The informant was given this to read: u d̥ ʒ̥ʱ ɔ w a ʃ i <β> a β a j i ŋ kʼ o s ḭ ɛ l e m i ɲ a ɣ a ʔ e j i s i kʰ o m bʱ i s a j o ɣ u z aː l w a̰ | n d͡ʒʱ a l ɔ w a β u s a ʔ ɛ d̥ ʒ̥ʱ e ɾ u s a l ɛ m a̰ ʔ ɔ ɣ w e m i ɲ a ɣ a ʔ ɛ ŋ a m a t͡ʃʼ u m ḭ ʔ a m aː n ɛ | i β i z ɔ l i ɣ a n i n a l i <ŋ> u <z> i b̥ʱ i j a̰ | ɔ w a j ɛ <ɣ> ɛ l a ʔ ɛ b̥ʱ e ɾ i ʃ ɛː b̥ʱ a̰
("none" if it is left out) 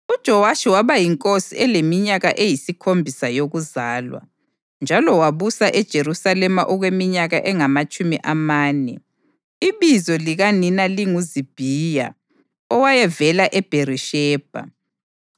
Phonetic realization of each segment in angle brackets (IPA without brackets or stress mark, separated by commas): w, ŋ, z, v